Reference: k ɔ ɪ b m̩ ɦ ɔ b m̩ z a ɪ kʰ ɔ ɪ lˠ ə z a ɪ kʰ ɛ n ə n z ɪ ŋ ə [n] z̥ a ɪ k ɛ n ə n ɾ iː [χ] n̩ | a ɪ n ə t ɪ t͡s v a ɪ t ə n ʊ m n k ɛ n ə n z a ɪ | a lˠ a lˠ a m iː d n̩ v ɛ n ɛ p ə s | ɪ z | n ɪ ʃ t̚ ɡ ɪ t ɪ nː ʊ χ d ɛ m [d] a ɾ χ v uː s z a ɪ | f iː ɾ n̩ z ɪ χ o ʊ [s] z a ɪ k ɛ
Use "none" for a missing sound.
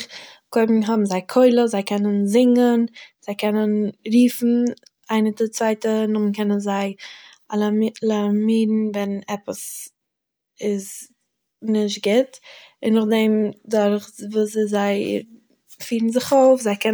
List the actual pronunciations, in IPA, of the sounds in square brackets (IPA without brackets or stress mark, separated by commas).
n, f, d, f